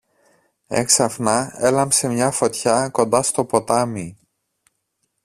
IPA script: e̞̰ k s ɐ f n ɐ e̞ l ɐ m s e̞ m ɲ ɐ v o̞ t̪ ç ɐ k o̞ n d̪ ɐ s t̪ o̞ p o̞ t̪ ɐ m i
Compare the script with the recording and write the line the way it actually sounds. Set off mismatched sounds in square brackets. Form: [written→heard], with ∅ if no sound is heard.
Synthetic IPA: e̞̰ k s ɐ f n ɐ e̞ l ɐ m s e̞ m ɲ ɐ [v→f] o̞ t̪ ç ɐ k o̞ n d̪ ɐ s t̪ o̞ p o̞ t̪ ɐ m i

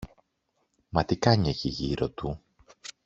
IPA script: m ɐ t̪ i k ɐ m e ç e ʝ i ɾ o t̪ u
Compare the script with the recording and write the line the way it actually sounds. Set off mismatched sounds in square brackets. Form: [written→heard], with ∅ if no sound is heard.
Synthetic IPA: m ɐ t̪ i k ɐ [m→ɲ] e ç [e→i] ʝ i ɾ o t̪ u

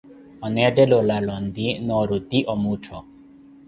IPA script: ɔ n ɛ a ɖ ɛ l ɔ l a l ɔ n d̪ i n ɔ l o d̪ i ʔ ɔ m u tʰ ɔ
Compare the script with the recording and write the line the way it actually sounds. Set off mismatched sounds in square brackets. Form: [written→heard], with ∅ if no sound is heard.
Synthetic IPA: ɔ n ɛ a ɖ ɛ l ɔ l a l ɔ n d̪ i n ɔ [l→ɾ] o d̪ i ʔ ɔ m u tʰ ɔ

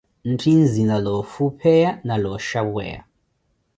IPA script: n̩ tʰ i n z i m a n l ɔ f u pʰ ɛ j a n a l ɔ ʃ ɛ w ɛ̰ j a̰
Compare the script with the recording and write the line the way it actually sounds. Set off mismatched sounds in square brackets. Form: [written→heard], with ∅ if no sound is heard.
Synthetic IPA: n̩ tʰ i n z i [m→n] a [n→∅] l ɔ f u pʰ ɛ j a n a l ɔ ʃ [ɛ→a] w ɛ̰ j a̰

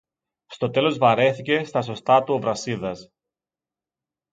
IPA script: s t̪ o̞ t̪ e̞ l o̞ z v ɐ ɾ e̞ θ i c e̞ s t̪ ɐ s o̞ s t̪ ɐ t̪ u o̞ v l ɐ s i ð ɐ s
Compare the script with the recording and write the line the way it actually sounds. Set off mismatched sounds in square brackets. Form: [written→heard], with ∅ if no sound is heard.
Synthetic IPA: s t̪ o̞ t̪ e̞ l o̞ z v ɐ ɾ e̞ θ i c e̞ s t̪ ɐ s o̞ s t̪ ɐ t̪ u o̞ v [l→ɾ] ɐ s i ð ɐ s

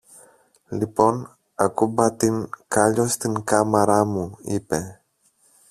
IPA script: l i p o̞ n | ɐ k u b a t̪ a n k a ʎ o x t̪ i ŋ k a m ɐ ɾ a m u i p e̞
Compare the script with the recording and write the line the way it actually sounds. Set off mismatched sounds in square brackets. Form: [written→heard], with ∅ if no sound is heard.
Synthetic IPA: l i p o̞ n | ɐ k u b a t̪ [a→i] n k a ʎ o [x→s] t̪ i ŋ k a m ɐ ɾ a m u i p e̞

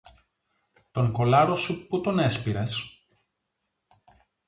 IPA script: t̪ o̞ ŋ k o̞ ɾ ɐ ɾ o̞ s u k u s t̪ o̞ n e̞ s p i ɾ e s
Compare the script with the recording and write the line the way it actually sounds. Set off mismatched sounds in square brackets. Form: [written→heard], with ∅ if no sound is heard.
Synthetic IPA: t̪ o̞ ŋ k o̞ [ɾ→l] ɐ ɾ o̞ s u [k→p] u [s→∅] t̪ o̞ n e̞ s p i ɾ e s

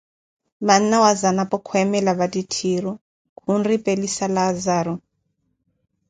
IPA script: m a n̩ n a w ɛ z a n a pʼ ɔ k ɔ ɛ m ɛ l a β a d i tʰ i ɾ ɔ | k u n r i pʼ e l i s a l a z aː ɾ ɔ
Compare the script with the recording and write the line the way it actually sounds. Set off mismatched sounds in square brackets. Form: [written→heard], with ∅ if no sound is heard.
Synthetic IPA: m a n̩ n a w [ɛ→a] z a n a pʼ ɔ [k→kʰ] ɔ ɛ m ɛ l a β a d i tʰ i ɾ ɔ | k u n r i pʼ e l i s a l a z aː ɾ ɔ

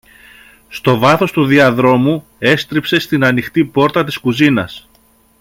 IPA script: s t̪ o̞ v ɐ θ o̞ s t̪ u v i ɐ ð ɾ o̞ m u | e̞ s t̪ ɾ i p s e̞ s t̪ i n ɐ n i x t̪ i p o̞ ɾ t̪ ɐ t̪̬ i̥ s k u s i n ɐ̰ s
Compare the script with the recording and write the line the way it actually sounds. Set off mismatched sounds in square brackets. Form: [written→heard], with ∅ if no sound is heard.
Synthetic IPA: s t̪ o̞ v ɐ θ o̞ s t̪ u [v→ð] i ɐ ð ɾ o̞ m u | e̞ s t̪ ɾ i p s e̞ s t̪ i n ɐ n i x t̪ i p o̞ ɾ t̪ ɐ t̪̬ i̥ s k u [s→z] i n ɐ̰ s

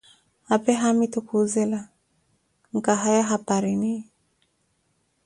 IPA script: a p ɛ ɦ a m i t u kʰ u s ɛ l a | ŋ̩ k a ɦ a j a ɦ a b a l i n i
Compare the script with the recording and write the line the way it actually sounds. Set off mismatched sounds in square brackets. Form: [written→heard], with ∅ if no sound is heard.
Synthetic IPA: a p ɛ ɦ a m i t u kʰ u [s→z] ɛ l a | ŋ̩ k a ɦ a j a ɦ a [b→p] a [l→ɾ] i n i

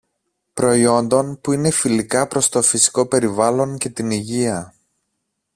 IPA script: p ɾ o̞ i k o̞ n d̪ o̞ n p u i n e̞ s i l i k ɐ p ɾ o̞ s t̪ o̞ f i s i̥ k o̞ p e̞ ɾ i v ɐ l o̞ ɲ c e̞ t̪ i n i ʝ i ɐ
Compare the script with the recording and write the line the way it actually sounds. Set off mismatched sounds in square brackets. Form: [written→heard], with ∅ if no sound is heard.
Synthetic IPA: p ɾ o̞ i [k→∅] o̞ n d̪ o̞ n p u i n e̞ [s→f] i l i k ɐ p ɾ o̞ s t̪ o̞ f i s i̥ k o̞ p e̞ ɾ i v ɐ l o̞ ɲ c e̞ t̪ i n i ʝ i ɐ

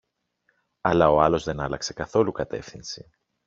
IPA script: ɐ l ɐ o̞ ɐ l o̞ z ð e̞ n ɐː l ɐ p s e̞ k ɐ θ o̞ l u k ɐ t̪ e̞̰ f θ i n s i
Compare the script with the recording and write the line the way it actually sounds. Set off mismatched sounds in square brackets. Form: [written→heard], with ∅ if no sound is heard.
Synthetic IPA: ɐ l ɐ o̞ ɐ l o̞ z ð e̞ n [ɐː→ɐ] l ɐ [p→k] s e̞ k ɐ θ o̞ l u k ɐ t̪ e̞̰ f θ i n s i

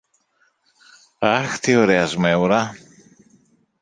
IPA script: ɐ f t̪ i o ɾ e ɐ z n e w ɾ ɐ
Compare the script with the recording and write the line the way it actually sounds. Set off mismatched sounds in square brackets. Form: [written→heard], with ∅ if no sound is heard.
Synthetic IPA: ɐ [f→x] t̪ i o ɾ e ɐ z [n→m] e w ɾ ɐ

